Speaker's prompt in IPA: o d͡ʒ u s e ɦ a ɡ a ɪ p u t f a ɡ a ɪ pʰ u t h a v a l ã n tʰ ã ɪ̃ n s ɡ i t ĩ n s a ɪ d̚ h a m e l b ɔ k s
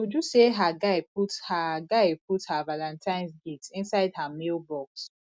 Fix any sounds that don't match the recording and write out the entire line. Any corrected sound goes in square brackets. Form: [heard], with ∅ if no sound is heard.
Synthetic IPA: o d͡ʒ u s e ɦ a ɡ a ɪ p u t [h] a ɡ a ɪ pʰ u t h a v a l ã n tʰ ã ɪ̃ n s ɡ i t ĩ n s a ɪ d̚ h a m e l b ɔ k s